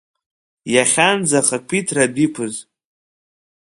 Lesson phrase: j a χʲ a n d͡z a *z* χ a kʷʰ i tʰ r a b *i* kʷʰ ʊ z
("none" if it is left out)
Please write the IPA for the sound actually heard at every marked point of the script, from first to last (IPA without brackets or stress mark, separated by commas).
none, i